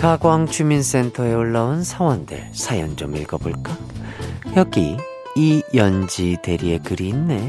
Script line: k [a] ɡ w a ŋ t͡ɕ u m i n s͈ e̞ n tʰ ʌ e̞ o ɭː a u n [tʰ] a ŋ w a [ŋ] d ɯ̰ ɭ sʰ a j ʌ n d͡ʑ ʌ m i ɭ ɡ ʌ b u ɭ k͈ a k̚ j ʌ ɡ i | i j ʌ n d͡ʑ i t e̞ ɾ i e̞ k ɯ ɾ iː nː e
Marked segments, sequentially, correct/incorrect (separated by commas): correct, incorrect, incorrect